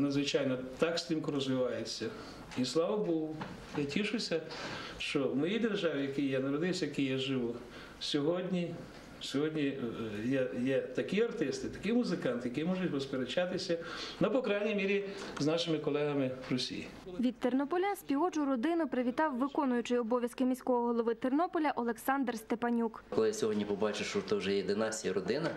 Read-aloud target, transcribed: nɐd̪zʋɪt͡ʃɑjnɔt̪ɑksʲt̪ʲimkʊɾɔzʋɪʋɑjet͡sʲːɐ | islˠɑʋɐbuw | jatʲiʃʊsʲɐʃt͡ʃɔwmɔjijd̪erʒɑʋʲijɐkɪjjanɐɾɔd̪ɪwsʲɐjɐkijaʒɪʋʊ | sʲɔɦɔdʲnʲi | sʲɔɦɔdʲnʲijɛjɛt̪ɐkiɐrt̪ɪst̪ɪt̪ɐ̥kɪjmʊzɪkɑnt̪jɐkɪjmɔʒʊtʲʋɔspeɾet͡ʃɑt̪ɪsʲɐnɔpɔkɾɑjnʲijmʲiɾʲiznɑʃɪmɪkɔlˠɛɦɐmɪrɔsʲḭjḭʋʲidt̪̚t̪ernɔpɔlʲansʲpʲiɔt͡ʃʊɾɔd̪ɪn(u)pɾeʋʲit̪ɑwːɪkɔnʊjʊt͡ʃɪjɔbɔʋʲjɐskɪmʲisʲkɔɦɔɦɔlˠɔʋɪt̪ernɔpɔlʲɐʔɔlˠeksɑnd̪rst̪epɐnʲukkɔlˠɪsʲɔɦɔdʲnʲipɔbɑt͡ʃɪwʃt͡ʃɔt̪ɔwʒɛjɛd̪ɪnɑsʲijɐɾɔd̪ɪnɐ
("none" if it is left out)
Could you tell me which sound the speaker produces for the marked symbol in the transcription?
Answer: ʊ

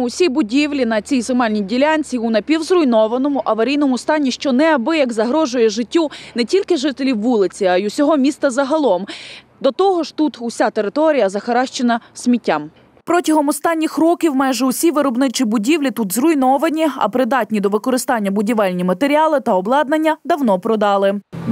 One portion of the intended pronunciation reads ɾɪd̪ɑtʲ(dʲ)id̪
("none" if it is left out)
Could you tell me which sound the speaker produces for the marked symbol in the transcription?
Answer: nʲ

